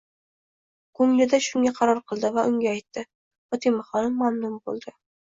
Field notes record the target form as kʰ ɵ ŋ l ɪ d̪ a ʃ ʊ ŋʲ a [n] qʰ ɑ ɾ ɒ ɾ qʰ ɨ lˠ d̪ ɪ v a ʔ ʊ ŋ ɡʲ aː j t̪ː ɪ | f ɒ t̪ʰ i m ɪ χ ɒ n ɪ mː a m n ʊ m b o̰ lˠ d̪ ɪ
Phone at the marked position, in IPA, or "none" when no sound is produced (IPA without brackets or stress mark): none